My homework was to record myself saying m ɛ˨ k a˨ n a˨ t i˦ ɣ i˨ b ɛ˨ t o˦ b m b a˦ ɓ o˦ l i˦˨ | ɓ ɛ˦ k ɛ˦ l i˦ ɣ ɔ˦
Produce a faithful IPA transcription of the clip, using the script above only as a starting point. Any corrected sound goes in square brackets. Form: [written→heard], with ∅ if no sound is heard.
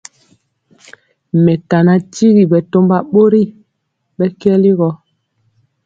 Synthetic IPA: m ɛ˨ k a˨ n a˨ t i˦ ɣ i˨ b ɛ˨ t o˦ [b→∅] m b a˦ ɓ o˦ [l→ɾ] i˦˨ | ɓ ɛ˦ k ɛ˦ l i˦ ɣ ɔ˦